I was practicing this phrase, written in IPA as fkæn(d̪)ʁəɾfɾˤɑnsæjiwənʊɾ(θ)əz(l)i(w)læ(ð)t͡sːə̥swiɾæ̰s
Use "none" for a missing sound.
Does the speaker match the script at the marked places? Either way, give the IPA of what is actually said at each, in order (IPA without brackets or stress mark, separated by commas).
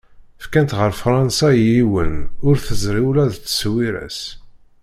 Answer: t̪, θ, ɾ, w, ð